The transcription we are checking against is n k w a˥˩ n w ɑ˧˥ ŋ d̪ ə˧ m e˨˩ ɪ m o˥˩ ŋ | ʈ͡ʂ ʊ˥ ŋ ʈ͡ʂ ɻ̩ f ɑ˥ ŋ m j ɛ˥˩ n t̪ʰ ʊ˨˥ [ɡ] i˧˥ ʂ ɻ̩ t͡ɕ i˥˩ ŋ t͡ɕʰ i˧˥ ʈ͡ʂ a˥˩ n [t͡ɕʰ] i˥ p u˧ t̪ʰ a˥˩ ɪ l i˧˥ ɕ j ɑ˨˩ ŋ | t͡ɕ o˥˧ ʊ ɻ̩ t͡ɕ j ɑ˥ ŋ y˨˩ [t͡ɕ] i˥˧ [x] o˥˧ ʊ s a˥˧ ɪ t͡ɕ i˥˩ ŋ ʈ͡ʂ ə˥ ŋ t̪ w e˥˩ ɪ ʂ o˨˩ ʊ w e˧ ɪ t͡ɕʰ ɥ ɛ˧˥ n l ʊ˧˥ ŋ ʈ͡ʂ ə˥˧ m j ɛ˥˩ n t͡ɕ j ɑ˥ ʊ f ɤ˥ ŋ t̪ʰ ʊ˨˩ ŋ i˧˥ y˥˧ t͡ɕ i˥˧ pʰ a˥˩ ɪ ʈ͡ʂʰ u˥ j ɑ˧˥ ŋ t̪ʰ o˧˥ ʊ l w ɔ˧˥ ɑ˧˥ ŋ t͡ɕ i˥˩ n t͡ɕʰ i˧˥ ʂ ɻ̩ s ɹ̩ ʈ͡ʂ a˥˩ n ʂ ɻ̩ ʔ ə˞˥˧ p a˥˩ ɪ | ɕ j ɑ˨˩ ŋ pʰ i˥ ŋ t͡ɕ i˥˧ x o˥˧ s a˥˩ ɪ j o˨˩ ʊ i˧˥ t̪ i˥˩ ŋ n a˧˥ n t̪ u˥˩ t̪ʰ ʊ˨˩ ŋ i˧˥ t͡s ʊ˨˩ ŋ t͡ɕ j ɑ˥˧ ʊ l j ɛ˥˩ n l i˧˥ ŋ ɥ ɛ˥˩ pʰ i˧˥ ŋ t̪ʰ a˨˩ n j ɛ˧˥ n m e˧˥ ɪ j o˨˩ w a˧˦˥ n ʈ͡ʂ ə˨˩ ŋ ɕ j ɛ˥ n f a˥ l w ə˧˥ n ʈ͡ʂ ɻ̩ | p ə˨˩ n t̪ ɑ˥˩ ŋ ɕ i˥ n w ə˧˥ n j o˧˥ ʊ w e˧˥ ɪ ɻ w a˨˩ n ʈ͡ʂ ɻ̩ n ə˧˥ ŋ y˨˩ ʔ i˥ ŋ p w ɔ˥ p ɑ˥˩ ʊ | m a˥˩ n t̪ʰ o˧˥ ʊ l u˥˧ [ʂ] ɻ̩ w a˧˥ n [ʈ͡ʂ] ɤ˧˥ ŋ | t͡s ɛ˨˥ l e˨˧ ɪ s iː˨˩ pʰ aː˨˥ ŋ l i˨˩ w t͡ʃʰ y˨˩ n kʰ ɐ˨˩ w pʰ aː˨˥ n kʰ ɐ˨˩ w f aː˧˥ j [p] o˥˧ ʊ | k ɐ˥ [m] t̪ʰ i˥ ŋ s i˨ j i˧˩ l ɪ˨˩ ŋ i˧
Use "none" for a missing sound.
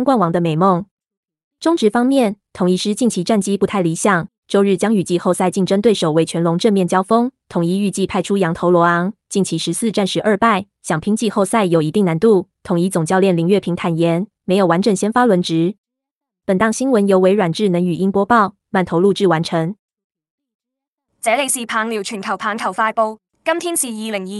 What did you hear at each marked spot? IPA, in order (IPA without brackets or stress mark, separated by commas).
ŋ, t͡ɕ, t͡ɕ, x, ʈ͡ʂ, ʈ͡ʂʰ, p, m